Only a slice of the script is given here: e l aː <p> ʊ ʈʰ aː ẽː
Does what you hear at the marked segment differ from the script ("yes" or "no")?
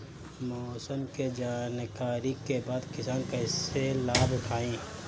yes